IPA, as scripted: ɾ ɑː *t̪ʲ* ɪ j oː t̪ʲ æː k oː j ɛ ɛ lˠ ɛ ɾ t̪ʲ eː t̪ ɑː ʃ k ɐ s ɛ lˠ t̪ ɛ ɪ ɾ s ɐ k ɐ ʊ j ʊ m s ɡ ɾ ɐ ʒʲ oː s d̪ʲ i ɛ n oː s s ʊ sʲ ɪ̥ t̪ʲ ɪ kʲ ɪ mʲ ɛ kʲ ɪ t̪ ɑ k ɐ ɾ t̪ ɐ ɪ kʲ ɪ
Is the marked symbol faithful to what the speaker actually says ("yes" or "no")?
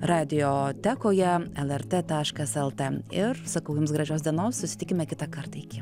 no